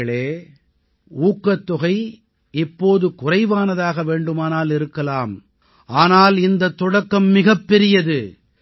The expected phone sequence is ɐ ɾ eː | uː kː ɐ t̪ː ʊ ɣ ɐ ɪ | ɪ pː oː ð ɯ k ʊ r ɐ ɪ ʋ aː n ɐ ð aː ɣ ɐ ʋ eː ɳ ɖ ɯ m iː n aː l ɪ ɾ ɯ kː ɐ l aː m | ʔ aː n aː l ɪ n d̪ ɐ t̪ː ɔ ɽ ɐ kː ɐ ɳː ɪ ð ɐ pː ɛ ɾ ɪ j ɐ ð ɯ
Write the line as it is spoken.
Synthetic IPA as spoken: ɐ ɭ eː | uː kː ɐ t̪ː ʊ ɣ ɐ ɪ | ɪ pː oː ð ɯ k ʊ r ɐ ɪ ʋ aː n ɐ ð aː ɣ ɐ ʋ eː ɳ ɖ ɯ m aː n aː l ɪ ɾ ɯ kː ɐ l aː m | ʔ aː n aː l ɪ n d̪ ɐ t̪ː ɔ ɽ ɐ kː ɐ mː ɪ ɣ ɐ pː ɛ ɾ ɪ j ɐ ð ɯ